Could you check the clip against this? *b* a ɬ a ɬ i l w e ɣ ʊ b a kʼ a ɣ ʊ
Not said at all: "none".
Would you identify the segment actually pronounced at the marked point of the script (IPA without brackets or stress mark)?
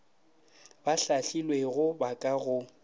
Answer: b